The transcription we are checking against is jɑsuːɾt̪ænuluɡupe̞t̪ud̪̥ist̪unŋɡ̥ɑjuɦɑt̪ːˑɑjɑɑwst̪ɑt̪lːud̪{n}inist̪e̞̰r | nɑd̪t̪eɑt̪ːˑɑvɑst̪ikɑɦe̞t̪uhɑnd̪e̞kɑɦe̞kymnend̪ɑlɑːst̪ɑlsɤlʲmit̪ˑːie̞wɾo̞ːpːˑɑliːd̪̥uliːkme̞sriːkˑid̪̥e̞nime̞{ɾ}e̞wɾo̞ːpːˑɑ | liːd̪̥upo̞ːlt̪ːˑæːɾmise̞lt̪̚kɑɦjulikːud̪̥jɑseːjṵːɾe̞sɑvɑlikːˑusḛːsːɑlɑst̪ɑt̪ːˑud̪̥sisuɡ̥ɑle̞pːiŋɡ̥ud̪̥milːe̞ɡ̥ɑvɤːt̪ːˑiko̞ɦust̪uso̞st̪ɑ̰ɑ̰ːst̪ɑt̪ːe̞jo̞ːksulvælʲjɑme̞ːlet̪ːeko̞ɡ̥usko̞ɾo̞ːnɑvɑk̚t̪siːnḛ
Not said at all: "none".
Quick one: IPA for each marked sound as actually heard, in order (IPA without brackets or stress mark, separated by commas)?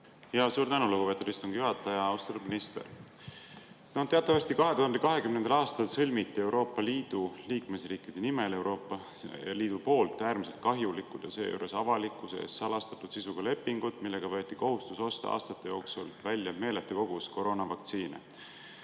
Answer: m, l